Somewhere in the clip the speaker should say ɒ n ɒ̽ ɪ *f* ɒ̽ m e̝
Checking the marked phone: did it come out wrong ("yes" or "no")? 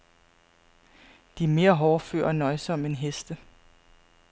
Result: yes